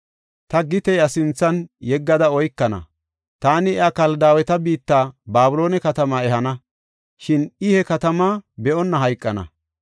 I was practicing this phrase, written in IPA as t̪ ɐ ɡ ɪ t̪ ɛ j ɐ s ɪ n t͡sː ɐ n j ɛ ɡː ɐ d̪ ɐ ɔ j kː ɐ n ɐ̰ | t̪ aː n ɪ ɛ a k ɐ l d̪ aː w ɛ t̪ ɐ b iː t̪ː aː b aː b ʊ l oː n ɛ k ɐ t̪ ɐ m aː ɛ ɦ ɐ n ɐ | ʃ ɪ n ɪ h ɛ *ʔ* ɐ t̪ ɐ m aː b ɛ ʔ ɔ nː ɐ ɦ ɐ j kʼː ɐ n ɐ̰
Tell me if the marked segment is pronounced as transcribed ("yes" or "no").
no